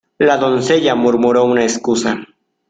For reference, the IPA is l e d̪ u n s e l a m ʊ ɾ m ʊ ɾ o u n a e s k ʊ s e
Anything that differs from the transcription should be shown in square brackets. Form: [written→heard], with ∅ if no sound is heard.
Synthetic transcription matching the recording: l [e→a] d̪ [u→o] n s e [l→ʎ] a m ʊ ɾ m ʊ ɾ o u n a e s k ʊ s [e→a]